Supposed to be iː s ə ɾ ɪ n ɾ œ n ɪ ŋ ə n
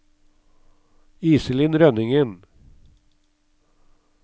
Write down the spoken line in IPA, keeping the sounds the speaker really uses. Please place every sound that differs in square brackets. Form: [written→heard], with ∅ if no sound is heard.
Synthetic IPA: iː s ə [ɾ→l] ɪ n ɾ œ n ɪ ŋ ə n